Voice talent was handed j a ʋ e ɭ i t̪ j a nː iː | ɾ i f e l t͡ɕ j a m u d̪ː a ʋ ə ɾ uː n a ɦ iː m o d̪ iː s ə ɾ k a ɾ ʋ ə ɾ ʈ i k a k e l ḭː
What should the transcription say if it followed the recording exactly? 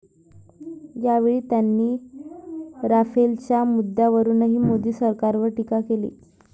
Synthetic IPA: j a ʋ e ɭ iː t̪ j a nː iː | ɾ a f e l t͡ɕ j a m u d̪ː a ʋ ə ɾ uː n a ɦ iː m o d̪ iː s ə ɾ k a ɾ ʋ ə ɾ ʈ i k a k e l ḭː